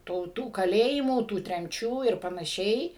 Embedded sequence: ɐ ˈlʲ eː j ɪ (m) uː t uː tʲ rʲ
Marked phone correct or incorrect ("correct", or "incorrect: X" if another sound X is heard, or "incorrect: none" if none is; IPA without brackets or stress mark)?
correct